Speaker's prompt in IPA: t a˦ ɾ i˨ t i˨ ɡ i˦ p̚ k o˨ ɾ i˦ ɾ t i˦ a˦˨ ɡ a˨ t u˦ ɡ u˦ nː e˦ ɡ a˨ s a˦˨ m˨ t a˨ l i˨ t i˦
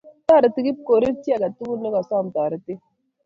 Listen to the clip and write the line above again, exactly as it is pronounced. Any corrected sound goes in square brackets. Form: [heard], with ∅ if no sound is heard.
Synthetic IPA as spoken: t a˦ ɾ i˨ t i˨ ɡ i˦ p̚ k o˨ ɾ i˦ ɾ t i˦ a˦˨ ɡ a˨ t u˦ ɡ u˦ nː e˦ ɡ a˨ s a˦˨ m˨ t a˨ [ɾ] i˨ t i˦